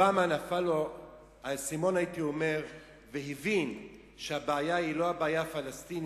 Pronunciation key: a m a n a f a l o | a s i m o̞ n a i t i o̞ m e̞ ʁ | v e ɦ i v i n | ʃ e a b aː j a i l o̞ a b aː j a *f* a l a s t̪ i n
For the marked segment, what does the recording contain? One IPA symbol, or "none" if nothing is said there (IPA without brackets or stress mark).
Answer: f